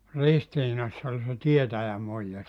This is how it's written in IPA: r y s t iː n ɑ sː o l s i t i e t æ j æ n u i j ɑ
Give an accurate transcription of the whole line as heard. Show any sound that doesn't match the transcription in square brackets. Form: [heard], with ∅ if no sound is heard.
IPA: r [i] s t iː n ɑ sː o l s [e] t i e t æ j æ [m] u i [jː] ɑ